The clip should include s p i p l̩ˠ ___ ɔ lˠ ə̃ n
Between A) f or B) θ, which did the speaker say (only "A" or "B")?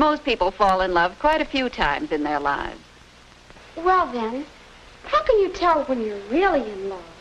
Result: A